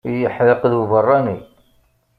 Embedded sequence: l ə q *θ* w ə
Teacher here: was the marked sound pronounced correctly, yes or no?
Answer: no